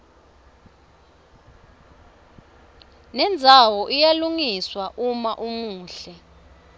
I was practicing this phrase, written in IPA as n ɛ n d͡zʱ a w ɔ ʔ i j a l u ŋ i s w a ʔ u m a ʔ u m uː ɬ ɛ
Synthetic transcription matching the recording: n ɛ n d͡zʱ a w ɔ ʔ i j a l u ŋ i s w a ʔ u m a ʔ u m uː ɬ ɛ